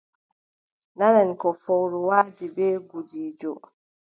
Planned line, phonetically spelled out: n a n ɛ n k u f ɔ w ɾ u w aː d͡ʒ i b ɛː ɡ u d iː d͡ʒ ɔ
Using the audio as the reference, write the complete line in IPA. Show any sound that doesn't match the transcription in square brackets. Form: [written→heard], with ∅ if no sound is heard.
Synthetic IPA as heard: n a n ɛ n k [u→ɔ] f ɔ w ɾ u w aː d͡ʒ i b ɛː ɡ u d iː d͡ʒ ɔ